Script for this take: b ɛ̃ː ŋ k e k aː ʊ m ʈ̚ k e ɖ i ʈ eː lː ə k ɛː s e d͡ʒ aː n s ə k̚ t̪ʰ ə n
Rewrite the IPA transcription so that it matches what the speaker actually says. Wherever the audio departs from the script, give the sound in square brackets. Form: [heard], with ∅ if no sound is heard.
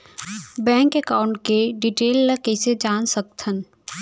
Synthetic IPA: b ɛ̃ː ŋ k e k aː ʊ [ɳ] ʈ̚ k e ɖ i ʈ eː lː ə k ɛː s e d͡ʒ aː n s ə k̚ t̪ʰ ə n